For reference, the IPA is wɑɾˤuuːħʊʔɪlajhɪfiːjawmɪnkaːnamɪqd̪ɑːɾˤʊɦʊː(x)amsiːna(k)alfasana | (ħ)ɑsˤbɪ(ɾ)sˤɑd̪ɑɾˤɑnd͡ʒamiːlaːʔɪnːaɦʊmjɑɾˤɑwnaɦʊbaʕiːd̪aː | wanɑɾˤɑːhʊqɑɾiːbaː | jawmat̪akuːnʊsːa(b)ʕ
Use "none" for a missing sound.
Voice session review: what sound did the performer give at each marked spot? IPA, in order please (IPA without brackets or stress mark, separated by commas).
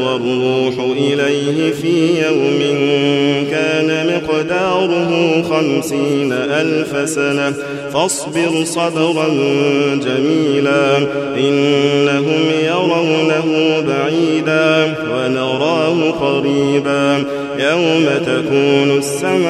x, ʔ, f, ɾ, m